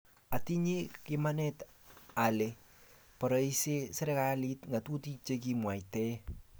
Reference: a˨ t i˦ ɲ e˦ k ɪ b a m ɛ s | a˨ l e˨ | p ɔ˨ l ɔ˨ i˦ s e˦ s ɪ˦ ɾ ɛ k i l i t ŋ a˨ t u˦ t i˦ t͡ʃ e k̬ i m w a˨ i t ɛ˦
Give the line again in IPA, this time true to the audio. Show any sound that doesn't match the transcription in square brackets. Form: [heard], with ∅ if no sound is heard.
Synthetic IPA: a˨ t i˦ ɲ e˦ k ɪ [m] a [n] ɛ [t] | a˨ l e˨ | p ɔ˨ [ɾ] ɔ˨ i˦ s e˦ s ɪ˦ ɾ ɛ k [a] l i t ŋ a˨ t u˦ t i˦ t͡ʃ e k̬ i m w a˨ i t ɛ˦